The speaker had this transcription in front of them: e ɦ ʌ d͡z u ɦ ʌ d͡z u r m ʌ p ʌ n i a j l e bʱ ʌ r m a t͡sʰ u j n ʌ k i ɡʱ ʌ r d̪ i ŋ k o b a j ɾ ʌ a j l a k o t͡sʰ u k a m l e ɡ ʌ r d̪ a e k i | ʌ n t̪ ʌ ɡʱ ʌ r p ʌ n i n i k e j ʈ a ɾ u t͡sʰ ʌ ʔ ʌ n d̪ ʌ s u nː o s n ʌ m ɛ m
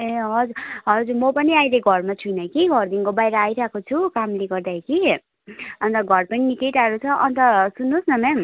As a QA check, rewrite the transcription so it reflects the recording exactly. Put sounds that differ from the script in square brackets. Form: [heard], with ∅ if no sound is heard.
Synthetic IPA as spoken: e ɦ ʌ d͡z u ɦ ʌ d͡z u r m ʌ p ʌ n i a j l e [ɡʱ] ʌ r m a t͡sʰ u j n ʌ k i ɡʱ ʌ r d̪ i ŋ k o b a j ɾ ʌ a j [ɾ] a k o t͡sʰ u k a m l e ɡ ʌ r d̪ a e k i | ʌ n t̪ ʌ ɡʱ ʌ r p ʌ n i n i k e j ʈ a ɾ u t͡sʰ ʌ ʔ ʌ n [t̪] ʌ s u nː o s n ʌ m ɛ m

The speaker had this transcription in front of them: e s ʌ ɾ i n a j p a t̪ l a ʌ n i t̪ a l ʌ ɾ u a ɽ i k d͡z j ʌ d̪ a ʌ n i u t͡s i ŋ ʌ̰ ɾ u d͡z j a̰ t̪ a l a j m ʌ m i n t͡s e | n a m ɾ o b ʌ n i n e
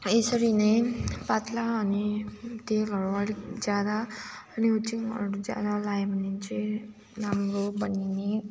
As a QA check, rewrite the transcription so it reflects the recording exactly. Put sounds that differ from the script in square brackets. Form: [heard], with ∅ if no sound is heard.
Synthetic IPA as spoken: e s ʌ ɾ i n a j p a t̪ l a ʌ n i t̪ [e] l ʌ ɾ u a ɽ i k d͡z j [a] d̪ a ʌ n i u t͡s i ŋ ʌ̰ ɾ u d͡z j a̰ [d̪] a l a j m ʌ [n] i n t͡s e | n a m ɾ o b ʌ n i n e

